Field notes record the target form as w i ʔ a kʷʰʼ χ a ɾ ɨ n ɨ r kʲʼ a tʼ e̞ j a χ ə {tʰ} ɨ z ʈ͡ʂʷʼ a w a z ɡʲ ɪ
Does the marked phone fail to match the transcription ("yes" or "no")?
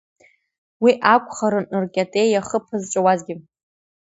yes